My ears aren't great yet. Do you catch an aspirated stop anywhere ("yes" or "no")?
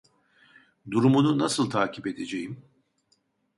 yes